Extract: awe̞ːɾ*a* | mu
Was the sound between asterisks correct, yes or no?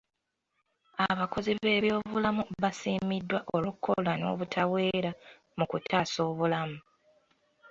yes